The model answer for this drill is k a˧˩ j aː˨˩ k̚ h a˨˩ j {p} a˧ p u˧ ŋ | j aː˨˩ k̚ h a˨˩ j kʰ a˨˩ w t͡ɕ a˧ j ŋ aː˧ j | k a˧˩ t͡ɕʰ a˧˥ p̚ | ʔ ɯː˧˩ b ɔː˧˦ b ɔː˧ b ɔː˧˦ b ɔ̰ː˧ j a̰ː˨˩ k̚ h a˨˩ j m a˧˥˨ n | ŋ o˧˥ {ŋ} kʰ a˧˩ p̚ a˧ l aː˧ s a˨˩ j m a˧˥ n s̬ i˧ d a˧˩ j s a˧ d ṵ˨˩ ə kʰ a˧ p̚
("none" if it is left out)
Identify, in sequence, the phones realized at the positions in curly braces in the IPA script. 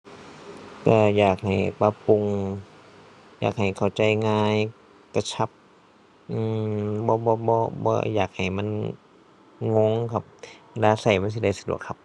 p, ŋ

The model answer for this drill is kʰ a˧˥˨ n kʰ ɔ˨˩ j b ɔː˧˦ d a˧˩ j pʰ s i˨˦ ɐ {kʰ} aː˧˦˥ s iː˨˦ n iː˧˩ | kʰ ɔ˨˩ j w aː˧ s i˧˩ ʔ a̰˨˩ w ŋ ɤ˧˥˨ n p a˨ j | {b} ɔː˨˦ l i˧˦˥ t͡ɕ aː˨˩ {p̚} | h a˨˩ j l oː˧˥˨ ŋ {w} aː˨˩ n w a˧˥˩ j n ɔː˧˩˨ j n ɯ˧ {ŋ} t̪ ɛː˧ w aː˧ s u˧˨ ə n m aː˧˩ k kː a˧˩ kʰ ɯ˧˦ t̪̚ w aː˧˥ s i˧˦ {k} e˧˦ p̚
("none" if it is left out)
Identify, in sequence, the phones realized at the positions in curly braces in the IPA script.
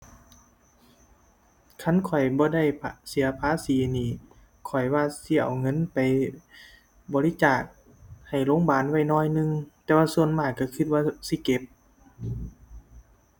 pʰ, b, k̚, b, ŋ, k

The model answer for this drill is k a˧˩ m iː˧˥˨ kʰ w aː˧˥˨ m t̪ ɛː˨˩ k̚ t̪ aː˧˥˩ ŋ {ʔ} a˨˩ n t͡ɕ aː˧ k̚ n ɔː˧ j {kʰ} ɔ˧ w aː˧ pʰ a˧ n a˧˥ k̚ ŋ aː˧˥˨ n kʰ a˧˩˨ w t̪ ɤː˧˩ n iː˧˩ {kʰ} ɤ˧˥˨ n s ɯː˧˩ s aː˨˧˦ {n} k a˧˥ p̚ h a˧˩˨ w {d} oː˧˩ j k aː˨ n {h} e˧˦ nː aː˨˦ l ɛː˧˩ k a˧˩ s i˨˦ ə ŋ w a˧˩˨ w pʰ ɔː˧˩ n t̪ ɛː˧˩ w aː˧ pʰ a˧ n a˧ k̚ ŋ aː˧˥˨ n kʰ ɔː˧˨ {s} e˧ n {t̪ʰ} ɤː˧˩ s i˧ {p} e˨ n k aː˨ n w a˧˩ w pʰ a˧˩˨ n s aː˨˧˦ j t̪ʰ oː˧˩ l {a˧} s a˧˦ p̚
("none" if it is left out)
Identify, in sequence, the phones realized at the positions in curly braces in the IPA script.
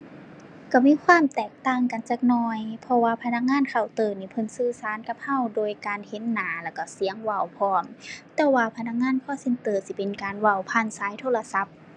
k, pʰ, pʰ, n, d, h, s, t̪, p, a˧

